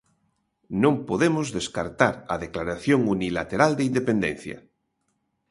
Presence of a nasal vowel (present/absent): present